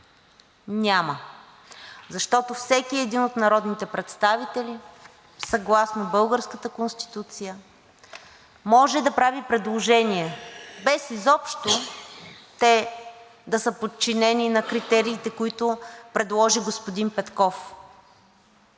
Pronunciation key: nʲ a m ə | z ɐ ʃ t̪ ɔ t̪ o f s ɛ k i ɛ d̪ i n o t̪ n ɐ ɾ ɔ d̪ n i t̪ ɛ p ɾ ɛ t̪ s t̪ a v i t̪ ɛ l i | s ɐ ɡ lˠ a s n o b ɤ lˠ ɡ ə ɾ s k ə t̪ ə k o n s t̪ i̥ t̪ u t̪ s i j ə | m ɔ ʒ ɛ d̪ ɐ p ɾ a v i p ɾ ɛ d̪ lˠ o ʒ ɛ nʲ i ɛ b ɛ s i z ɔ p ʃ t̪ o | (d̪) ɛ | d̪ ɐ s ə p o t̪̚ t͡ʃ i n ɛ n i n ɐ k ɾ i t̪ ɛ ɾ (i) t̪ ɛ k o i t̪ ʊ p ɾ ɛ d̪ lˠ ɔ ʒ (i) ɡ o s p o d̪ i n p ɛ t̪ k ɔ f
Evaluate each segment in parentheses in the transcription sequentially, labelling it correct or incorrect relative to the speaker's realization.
incorrect: t̪, incorrect: iː, correct

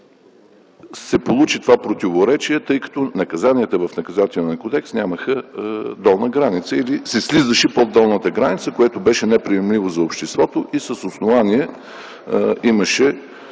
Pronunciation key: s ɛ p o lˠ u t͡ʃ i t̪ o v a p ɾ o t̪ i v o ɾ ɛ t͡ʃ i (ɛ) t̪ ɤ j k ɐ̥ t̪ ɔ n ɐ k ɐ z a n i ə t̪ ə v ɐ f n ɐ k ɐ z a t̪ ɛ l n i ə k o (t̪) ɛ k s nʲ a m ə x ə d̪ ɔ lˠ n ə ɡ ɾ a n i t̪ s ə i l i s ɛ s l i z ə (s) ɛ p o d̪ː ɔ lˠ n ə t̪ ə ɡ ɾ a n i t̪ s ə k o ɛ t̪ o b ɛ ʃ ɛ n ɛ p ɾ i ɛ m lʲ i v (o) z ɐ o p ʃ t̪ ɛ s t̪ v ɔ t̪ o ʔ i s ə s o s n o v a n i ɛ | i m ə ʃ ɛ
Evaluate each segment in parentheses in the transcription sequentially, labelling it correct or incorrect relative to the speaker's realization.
correct, incorrect: d̪, incorrect: ʃ, correct

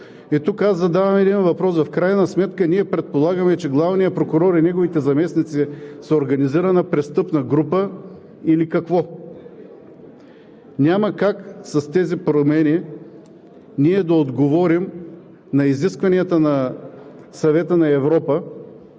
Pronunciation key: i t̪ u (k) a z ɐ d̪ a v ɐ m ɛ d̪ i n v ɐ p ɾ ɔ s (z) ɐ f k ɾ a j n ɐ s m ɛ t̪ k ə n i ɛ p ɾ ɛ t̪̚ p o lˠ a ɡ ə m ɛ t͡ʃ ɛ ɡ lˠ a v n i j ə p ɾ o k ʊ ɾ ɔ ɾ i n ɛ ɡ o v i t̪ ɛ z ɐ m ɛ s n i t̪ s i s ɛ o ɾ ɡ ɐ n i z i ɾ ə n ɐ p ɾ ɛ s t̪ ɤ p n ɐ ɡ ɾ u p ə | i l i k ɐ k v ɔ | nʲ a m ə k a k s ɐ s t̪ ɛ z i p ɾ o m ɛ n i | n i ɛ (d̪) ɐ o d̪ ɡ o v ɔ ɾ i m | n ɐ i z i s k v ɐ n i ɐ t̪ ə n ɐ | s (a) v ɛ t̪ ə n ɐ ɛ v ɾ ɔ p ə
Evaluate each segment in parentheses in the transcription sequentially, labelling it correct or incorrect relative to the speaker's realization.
correct, incorrect: v, correct, incorrect: ɐ

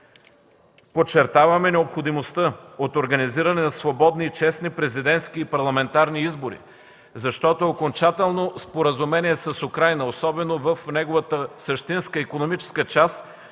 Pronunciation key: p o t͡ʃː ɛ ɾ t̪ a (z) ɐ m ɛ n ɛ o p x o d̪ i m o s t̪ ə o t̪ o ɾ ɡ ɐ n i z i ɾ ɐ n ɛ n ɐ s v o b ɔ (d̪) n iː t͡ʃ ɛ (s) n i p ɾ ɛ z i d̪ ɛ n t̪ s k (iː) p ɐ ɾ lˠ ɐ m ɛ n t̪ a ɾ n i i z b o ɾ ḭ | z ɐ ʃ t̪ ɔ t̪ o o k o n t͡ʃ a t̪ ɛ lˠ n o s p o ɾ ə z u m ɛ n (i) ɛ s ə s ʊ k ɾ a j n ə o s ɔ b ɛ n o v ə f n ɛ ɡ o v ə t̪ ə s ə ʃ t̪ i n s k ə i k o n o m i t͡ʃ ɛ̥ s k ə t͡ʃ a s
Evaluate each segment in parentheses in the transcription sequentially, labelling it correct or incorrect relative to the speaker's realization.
incorrect: v, correct, correct, correct, correct

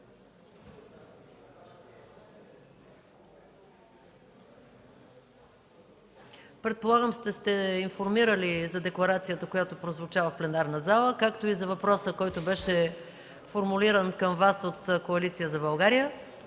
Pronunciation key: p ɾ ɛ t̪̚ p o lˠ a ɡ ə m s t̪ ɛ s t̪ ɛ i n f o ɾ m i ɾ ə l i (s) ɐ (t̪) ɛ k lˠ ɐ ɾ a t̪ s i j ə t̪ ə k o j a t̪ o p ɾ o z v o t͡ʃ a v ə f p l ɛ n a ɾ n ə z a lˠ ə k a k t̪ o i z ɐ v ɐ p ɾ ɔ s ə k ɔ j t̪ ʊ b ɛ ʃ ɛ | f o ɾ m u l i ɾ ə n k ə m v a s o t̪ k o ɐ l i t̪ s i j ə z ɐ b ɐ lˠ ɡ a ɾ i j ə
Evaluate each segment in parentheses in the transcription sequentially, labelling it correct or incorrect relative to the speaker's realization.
incorrect: z, incorrect: d̪

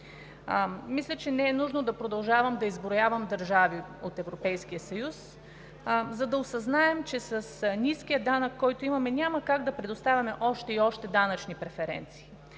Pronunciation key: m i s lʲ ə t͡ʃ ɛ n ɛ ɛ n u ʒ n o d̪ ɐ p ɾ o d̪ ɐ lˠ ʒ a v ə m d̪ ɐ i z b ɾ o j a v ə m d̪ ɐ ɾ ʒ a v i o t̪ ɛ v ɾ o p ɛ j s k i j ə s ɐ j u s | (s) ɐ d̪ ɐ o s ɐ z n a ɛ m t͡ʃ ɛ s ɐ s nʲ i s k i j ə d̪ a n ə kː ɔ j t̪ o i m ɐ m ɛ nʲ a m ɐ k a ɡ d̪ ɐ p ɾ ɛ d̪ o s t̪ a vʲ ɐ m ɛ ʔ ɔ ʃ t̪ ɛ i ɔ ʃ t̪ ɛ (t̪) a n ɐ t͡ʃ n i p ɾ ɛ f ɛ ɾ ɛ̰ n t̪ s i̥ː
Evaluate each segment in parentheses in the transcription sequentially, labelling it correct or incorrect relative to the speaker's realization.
incorrect: z, incorrect: d̪

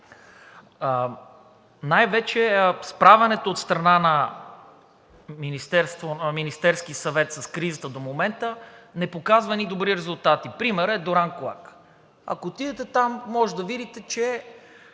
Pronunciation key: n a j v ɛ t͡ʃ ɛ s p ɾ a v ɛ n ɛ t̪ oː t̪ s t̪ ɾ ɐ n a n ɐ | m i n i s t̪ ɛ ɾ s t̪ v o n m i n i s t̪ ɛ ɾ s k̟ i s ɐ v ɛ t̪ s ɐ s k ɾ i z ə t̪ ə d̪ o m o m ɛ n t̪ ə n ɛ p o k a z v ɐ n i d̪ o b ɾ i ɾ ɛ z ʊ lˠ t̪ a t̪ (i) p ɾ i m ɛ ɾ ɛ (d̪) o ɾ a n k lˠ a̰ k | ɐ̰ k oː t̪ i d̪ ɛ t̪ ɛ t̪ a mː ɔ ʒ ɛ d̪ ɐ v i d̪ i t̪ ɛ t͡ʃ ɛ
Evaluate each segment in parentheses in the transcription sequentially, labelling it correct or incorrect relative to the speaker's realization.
correct, correct

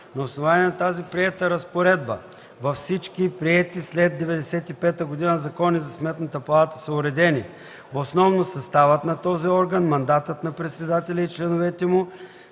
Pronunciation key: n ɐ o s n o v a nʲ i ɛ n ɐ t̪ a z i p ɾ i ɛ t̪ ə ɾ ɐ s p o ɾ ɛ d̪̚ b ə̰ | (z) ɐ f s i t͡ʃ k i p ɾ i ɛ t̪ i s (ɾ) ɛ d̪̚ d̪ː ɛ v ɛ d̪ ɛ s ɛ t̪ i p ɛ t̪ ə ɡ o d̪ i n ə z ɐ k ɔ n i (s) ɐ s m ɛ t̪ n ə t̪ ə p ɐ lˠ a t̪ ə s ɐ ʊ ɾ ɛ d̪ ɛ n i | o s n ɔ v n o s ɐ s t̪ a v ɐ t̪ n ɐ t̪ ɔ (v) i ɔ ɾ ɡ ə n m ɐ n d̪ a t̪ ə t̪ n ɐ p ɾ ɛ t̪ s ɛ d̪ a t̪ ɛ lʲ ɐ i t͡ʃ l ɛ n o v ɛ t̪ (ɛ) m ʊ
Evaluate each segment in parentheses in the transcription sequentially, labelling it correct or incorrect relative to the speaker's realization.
incorrect: v, incorrect: l, incorrect: z, incorrect: z, correct

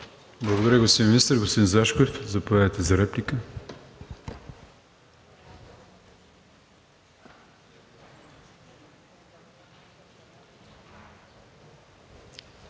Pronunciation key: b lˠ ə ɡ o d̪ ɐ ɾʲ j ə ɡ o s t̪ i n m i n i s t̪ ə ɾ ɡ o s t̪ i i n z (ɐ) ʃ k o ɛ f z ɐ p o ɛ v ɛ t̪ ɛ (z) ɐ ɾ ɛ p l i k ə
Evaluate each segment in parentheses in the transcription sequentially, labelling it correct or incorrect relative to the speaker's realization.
incorrect: a, correct

